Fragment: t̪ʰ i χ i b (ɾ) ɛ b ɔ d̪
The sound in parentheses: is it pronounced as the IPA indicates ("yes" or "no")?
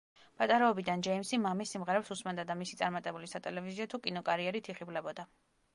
no